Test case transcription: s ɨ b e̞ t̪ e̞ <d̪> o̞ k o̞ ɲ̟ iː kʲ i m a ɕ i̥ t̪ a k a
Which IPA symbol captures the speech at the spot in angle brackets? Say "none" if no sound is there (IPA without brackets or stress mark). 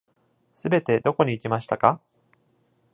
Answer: d̪